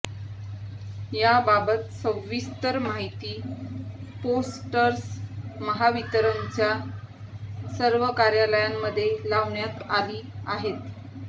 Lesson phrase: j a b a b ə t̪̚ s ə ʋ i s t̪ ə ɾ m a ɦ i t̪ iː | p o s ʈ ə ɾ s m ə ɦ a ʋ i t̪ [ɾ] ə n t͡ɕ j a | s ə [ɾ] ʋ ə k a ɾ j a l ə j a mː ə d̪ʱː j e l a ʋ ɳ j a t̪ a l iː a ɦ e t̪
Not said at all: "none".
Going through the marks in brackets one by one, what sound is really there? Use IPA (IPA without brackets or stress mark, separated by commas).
ɾ, ɾ